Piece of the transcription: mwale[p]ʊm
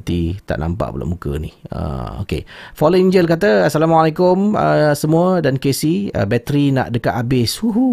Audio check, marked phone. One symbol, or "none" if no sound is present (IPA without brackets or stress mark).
k